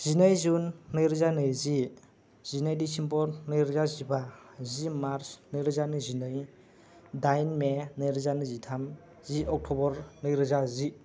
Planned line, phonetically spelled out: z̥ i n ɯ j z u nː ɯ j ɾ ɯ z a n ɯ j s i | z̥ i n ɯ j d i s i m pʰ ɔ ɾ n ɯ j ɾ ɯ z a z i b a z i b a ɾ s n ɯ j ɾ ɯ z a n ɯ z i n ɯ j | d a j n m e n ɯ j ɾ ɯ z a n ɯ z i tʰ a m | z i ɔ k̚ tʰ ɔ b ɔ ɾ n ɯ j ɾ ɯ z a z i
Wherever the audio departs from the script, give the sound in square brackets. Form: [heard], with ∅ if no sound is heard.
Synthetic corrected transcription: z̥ i n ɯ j z u nː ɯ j ɾ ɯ z a n ɯ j [z] i | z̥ i n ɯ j d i s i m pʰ ɔ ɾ n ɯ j ɾ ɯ z a z i b a z i [m] a ɾ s n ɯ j ɾ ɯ z a n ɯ z i n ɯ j | d a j n m e n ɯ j ɾ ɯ z a n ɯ z i tʰ a m | z i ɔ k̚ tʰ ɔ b ɔ ɾ n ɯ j ɾ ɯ z a z i